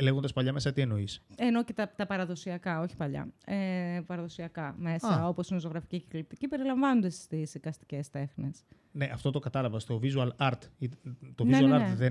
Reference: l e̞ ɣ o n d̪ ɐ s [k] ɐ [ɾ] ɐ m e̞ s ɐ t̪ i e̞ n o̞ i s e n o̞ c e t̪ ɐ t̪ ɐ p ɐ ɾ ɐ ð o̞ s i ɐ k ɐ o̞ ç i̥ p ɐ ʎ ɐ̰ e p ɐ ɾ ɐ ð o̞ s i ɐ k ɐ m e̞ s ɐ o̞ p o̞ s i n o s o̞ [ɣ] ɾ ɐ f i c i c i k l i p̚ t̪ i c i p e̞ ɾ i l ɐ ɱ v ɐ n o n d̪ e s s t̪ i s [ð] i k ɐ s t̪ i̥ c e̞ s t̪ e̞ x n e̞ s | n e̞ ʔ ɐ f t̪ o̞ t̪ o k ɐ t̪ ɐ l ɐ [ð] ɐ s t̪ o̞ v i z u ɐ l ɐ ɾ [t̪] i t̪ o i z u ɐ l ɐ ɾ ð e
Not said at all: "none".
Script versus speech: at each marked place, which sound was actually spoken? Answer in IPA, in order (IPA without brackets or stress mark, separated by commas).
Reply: p, ʎ, ɣ, ð, v, t̪